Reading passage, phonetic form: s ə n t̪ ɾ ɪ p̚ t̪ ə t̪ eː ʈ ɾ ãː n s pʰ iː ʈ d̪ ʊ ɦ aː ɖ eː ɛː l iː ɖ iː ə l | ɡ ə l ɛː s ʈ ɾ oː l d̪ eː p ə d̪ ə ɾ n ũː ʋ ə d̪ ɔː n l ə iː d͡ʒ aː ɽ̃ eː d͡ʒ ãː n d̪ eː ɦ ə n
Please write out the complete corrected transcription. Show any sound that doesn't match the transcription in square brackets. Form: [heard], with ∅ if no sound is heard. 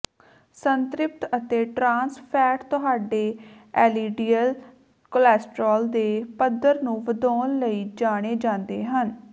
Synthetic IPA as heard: s ə n t̪ ɾ ɪ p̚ t̪ ə t̪ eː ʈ ɾ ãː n s pʰ [ɛː] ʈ [t̪] ʊ ɦ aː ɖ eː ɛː l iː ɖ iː ə l | [k] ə l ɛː s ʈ ɾ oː l d̪ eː p ə d̪ ə ɾ n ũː ʋ ə d̪ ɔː n l ə iː d͡ʒ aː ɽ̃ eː d͡ʒ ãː n d̪ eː ɦ ə n